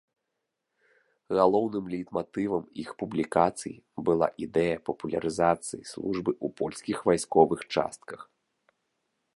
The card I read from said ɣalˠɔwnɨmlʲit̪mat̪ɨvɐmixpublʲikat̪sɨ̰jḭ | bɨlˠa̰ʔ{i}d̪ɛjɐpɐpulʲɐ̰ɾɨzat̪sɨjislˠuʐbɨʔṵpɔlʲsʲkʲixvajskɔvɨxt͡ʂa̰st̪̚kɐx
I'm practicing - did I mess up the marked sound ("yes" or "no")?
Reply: no